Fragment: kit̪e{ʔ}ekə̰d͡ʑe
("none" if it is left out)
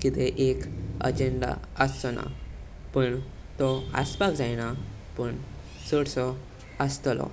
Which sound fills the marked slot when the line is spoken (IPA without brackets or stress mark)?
ʔ